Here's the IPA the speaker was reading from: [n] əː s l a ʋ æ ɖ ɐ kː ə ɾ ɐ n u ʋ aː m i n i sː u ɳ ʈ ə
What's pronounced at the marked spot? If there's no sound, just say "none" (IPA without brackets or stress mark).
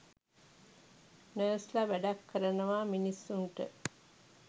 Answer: n